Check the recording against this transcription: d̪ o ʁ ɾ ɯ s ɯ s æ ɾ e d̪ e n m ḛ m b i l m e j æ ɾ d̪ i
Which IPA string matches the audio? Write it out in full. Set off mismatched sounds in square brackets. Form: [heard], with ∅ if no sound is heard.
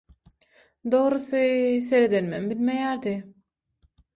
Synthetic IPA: d̪ o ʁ ɾ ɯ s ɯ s [e] ɾ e d̪ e n m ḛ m b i l m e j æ ɾ d̪ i